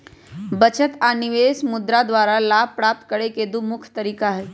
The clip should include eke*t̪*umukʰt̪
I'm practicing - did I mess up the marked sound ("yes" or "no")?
yes